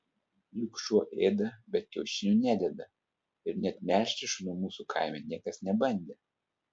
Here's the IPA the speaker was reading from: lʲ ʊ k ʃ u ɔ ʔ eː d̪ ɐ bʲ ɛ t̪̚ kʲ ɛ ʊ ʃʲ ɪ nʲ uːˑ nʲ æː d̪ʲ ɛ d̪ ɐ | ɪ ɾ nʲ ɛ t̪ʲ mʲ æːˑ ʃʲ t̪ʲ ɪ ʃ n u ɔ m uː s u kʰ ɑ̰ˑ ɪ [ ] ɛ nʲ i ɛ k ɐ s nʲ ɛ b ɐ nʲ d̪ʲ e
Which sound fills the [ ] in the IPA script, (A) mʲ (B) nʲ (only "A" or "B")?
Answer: A